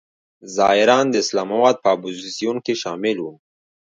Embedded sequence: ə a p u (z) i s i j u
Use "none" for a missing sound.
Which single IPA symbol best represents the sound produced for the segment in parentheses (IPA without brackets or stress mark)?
z